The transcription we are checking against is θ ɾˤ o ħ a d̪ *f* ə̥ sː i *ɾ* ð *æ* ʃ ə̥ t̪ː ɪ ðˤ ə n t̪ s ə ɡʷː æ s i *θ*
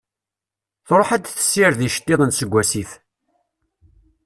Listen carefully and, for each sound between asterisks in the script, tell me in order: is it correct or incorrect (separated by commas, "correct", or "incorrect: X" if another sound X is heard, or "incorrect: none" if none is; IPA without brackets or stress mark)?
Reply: incorrect: θ, correct, incorrect: i, correct